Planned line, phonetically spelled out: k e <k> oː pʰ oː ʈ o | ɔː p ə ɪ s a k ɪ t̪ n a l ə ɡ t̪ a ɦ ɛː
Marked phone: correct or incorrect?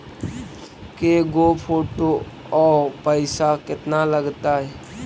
incorrect